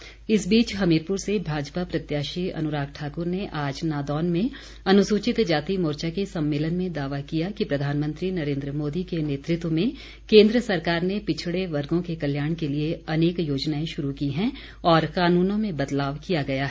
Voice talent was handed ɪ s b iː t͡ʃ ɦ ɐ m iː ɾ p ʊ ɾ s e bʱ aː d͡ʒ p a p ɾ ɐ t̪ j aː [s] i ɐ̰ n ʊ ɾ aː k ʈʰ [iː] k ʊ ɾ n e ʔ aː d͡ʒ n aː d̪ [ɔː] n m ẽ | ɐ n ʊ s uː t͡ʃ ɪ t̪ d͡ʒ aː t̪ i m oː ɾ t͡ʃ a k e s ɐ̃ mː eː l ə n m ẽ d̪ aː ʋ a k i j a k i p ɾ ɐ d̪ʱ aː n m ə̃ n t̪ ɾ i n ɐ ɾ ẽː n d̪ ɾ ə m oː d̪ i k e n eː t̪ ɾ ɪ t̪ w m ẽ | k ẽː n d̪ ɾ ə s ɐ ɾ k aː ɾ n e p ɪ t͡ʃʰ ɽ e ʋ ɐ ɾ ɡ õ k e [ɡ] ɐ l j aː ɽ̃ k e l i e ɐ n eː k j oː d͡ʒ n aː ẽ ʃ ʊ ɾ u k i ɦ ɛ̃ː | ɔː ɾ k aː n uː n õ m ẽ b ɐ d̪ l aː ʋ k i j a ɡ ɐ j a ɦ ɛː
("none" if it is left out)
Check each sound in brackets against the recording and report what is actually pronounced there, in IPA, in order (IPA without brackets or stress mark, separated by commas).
ʃ, aː, ɔː, k